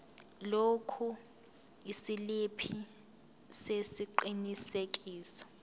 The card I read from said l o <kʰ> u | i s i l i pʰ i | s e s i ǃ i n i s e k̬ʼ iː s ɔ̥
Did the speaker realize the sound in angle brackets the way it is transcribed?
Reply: yes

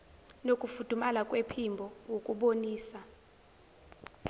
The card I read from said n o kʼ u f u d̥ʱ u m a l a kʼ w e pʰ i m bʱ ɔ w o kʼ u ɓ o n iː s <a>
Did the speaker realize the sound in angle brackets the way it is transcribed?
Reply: yes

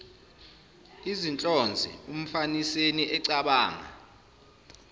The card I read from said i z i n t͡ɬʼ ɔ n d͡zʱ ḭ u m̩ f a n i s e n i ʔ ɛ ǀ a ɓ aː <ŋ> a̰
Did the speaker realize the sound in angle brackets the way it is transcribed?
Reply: yes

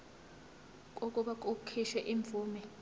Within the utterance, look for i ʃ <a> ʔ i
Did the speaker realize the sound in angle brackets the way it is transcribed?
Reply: no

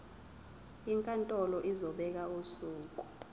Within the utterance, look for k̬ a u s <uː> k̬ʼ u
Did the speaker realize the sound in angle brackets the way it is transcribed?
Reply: yes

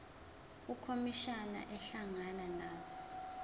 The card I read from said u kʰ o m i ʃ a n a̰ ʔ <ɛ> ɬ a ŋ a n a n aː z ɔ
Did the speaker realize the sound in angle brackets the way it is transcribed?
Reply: yes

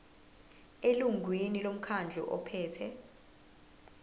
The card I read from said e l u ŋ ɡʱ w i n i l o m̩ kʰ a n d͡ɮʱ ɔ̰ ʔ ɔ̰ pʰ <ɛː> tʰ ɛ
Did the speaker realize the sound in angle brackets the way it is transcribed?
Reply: yes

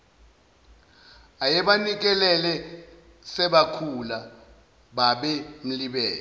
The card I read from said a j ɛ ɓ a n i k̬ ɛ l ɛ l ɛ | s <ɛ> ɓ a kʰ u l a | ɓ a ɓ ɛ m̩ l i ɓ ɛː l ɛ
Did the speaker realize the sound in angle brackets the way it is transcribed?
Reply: yes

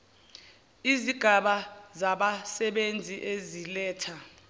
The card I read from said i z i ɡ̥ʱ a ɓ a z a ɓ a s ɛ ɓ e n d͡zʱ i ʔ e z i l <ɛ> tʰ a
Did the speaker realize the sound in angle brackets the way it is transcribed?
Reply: no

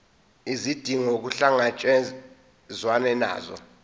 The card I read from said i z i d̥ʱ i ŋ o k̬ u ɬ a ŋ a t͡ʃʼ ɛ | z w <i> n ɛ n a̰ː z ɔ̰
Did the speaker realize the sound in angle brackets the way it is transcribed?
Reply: no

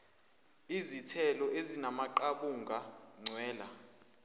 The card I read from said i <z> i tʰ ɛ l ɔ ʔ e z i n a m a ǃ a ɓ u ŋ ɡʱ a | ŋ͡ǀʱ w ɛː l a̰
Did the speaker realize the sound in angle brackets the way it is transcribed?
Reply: yes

